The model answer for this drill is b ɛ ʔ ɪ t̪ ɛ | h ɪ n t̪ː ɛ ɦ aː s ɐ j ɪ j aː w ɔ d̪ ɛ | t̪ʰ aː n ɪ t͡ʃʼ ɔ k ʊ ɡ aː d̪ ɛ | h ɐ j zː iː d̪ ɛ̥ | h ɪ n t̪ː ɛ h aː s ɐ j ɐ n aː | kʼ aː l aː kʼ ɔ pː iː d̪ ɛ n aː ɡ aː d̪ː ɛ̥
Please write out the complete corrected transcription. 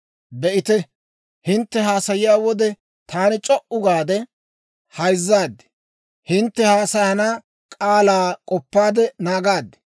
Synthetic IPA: b ɛ ʔ ɪ t̪ ɛ | h ɪ n t̪ː ɛ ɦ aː s ɐ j ɪ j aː w ɔ d̪ ɛ | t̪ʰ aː n ɪ t͡ʃʼ ɔ ʔ ʊ ɡ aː d̪ ɛ | h ɐ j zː aː d̪ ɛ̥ | h ɪ n t̪ː ɛ h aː s ɐ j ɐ n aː | kʼ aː l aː kʼ ɔ pː aː d̪ ɛ n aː ɡ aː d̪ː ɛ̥